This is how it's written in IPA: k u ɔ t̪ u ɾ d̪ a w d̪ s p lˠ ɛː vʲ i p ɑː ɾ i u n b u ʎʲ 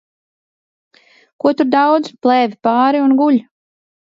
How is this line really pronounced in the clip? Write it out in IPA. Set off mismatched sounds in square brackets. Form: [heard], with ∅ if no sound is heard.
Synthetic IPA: k u ɔ t̪ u ɾ d̪ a w d̪ [z] p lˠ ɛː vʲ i p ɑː ɾ i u n [ɡ] u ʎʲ